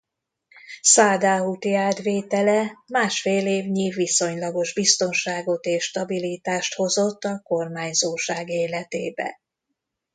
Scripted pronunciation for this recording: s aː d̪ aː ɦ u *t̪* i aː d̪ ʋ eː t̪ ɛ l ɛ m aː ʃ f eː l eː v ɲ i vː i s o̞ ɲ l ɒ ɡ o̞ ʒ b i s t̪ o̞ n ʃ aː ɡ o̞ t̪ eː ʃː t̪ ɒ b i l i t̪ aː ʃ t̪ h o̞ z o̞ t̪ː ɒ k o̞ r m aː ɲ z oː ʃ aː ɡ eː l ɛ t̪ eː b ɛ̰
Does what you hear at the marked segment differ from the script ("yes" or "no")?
no